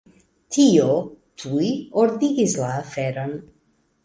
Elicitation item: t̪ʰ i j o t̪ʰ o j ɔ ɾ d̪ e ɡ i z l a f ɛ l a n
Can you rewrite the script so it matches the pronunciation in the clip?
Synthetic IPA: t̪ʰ i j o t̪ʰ u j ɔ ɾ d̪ i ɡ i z l a f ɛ ɾ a n

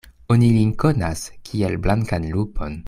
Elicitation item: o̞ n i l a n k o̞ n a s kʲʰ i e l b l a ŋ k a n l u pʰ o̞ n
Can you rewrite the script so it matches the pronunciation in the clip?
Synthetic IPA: o̞ n i l i n k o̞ n a s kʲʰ i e l b l a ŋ k a n l u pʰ o̞ n

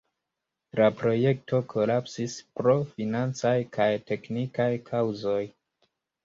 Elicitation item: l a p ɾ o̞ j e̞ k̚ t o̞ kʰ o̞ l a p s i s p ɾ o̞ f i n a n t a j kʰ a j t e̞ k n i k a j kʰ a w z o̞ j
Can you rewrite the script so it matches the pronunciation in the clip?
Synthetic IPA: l a p ɾ o̞ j e̞ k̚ t o̞ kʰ o̞ l a p s i s p ɾ o̞ f i n a n t͡s a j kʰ a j t e̞ k n i k a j kʰ a w z o̞ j

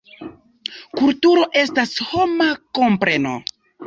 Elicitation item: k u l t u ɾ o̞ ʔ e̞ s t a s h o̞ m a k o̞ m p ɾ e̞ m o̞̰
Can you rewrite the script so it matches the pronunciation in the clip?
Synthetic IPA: k u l t u ɾ o̞ ʔ e̞ s t a s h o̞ m a k o̞ m p ɾ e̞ n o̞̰

